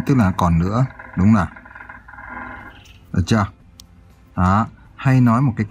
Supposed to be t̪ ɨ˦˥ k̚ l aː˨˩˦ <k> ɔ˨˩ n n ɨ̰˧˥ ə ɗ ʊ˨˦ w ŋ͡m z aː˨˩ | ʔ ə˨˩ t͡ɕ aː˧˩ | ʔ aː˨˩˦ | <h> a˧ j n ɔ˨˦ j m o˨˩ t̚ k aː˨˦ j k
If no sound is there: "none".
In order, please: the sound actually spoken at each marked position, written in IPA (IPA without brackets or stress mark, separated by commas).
k, h